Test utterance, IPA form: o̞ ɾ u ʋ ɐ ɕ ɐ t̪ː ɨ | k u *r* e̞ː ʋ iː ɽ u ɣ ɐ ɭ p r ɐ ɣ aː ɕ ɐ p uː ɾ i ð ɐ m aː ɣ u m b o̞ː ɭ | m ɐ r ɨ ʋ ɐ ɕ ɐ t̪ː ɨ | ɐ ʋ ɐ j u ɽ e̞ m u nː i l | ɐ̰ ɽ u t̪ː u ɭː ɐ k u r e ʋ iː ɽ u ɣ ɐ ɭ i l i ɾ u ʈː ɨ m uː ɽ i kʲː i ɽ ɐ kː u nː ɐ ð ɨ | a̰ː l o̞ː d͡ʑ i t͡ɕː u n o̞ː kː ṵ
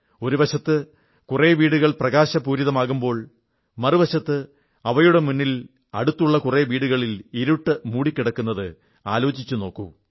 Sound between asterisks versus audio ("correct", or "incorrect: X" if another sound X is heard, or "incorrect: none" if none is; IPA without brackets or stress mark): correct